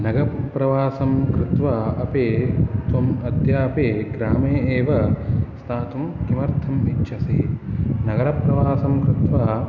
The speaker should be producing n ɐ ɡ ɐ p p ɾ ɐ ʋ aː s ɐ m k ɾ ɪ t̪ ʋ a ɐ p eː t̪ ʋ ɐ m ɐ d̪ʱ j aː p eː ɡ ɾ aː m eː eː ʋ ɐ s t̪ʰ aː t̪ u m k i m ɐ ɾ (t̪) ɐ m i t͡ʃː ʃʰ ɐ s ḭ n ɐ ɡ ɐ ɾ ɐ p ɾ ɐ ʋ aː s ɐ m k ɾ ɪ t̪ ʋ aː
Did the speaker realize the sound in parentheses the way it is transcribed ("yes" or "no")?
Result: no